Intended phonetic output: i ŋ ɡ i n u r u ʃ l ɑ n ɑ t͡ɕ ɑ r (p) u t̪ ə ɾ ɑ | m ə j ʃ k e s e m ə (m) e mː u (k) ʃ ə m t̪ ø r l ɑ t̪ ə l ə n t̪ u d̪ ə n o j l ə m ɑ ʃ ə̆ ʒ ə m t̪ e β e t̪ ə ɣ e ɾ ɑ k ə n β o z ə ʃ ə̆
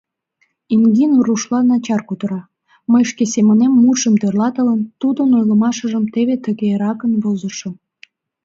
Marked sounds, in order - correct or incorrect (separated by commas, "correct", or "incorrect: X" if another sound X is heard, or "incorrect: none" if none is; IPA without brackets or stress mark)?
incorrect: k, incorrect: n, incorrect: none